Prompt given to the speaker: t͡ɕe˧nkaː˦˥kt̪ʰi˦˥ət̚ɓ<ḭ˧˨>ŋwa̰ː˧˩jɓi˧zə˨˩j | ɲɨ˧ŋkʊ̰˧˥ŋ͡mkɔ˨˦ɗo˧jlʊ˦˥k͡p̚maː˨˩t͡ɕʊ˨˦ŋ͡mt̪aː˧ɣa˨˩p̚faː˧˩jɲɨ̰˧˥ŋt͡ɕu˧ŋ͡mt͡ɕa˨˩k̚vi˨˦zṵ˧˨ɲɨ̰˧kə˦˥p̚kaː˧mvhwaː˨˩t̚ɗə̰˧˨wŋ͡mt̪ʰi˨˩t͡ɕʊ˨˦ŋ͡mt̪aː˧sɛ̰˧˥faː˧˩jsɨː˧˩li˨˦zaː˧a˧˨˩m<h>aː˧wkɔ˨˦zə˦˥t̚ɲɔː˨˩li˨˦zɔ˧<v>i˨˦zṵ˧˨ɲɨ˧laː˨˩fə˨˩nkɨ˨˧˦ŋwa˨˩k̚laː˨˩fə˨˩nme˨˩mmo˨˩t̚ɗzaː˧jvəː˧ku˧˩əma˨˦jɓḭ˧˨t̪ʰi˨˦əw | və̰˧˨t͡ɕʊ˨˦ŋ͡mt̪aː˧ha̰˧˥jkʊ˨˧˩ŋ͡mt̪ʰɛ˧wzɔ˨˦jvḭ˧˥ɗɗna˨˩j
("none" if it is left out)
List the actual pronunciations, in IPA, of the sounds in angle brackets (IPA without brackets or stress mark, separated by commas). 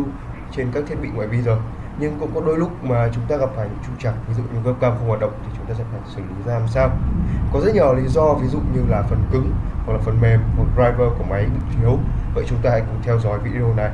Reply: ḭ˧˨, s, v